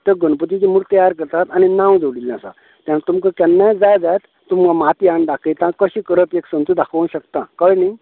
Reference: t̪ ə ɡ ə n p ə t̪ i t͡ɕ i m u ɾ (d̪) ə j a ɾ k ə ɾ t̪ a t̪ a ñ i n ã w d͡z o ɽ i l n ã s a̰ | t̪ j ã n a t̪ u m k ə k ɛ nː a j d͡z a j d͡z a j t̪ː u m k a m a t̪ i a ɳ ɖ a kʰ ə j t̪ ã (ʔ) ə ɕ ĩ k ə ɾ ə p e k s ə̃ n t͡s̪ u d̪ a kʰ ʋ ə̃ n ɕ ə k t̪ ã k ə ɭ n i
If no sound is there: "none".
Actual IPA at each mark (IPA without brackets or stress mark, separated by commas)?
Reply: t̪, k